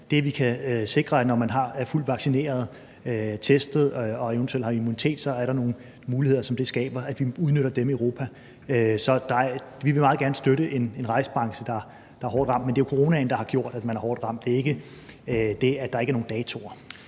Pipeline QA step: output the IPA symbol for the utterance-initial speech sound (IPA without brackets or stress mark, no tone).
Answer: d̥